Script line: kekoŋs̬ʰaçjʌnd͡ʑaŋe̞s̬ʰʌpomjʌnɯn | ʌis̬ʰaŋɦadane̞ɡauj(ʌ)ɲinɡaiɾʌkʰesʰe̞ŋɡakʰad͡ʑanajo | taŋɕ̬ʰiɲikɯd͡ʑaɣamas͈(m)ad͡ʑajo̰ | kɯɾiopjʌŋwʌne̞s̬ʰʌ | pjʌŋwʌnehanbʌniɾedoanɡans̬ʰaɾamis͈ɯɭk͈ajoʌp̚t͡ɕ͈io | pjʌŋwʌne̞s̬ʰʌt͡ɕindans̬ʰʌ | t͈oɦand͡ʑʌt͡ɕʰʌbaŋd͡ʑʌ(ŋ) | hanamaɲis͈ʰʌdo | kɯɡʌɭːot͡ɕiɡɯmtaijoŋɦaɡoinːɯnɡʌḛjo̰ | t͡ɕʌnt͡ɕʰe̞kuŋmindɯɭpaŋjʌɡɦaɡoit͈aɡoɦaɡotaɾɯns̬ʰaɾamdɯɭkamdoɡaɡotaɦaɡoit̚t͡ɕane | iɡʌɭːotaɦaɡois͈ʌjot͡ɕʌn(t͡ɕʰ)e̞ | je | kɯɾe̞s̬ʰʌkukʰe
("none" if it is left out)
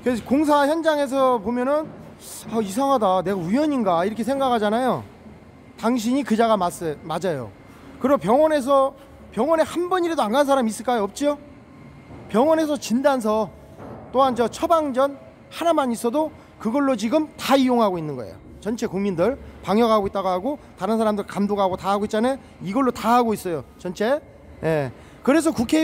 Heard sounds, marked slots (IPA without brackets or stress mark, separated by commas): ʌ, m, n, t͡ɕʰ